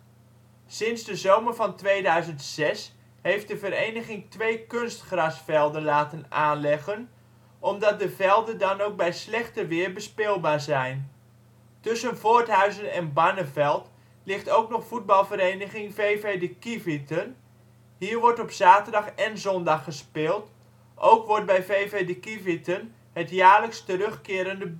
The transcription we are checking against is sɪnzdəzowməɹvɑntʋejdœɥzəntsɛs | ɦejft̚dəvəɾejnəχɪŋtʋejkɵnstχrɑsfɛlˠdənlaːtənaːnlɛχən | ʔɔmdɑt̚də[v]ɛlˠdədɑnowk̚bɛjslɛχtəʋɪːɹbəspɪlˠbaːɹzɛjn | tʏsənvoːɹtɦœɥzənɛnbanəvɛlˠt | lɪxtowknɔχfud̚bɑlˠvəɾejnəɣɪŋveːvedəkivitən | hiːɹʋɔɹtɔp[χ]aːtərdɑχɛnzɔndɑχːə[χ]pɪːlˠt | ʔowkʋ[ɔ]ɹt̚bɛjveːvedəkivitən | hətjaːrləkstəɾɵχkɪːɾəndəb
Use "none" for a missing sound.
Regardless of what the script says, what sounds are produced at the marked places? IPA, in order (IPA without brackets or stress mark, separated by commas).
v, s, s, ɔ